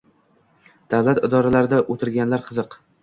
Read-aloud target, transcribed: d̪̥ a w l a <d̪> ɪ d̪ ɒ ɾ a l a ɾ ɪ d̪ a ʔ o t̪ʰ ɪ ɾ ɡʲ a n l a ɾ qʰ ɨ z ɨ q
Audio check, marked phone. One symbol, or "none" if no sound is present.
t̪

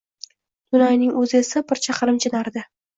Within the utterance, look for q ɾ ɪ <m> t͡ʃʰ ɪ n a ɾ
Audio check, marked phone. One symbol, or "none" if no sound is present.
m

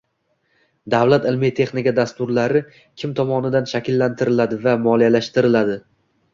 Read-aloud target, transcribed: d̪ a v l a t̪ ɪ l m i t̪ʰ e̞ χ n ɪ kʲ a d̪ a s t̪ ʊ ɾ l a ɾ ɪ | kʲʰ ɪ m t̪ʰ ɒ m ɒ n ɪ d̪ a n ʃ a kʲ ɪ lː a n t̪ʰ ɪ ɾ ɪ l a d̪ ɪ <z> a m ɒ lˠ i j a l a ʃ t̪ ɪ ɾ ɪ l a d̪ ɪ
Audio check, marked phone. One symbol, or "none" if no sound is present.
v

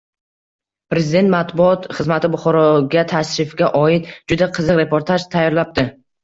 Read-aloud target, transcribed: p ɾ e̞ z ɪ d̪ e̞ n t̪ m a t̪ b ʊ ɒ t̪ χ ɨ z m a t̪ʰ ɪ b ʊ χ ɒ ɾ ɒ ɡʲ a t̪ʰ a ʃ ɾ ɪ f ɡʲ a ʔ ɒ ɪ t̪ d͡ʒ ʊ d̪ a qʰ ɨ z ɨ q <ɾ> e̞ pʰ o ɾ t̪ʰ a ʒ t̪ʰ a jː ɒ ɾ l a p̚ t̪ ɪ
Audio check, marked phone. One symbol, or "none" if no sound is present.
ɾ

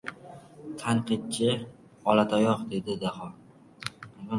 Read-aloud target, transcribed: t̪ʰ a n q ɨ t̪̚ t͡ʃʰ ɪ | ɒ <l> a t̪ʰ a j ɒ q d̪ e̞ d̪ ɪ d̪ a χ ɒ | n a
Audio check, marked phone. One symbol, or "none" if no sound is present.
l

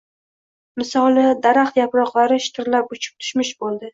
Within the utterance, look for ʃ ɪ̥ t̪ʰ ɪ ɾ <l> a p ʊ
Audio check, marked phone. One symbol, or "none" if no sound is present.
l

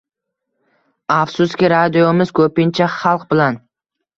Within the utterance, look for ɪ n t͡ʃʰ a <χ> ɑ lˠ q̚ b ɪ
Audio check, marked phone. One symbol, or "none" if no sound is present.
χ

